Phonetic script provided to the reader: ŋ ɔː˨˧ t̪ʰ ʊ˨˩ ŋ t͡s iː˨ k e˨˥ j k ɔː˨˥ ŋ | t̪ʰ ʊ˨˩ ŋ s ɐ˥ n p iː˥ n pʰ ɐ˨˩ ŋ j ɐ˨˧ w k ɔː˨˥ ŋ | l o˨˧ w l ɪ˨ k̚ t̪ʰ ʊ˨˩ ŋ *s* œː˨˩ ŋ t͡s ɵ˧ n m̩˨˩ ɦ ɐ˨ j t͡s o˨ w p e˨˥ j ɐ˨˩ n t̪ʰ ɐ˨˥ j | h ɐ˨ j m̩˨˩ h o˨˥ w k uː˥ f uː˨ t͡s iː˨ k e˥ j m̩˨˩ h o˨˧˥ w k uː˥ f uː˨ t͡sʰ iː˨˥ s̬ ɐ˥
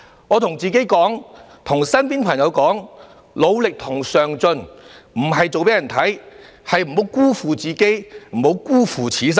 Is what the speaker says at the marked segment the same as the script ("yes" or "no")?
yes